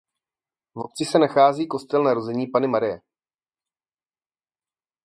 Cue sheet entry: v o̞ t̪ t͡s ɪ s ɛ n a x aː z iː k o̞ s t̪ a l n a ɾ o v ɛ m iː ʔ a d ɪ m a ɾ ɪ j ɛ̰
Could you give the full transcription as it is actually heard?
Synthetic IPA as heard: v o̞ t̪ t͡s ɪ s ɛ n a x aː z iː k o̞ s t̪ ɛ l n a ɾ o z ɛ ɲ iː p a n ɪ m a ɾ ɪ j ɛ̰